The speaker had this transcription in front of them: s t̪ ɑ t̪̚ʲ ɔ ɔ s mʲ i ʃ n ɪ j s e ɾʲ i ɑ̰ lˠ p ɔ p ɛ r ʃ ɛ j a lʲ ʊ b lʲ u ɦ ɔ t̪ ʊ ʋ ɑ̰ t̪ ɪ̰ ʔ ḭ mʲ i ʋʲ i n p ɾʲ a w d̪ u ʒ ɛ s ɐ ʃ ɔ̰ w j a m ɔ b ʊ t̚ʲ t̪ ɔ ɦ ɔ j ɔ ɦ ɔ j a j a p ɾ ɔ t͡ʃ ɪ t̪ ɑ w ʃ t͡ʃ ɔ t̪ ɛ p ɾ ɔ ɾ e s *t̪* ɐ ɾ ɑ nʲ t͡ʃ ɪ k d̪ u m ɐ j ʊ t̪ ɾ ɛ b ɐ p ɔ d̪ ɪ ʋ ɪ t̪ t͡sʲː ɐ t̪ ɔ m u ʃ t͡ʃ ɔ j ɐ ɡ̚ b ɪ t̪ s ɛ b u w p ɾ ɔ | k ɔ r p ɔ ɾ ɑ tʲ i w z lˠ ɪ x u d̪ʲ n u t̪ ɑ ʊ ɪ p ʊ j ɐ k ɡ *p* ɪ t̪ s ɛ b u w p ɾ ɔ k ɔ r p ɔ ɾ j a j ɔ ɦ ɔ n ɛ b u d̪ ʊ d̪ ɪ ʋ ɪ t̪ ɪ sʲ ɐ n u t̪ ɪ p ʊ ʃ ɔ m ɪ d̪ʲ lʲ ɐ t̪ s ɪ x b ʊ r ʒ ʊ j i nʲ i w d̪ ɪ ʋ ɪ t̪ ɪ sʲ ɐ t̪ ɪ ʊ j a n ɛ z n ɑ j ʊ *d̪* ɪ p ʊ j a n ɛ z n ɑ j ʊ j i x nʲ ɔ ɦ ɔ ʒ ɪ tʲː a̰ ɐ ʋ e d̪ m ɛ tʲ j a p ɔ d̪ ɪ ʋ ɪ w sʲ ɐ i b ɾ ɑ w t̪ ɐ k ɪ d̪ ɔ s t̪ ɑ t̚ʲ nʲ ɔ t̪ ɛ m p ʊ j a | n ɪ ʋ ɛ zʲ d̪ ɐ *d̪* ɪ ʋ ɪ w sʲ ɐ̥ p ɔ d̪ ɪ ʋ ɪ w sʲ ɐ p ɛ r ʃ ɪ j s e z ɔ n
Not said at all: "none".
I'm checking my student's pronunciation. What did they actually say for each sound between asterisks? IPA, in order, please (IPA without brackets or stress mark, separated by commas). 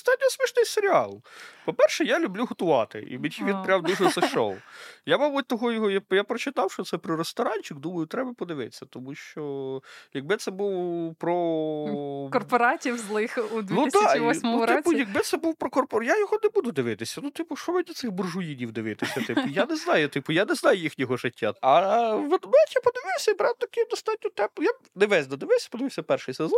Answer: t̪, b, t̪, d̪